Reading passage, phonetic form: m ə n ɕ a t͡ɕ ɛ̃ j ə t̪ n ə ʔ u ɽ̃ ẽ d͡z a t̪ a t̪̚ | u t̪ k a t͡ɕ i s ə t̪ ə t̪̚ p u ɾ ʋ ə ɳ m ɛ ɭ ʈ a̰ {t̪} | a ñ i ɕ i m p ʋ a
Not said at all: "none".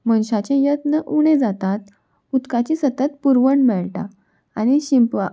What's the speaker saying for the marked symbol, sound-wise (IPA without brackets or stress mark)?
none